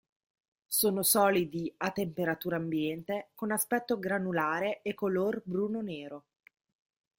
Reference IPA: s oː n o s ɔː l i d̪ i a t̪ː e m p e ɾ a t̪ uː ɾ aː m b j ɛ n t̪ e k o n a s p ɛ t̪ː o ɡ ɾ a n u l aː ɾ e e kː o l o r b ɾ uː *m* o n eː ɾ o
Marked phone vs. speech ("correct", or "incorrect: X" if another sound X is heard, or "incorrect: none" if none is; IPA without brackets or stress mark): incorrect: n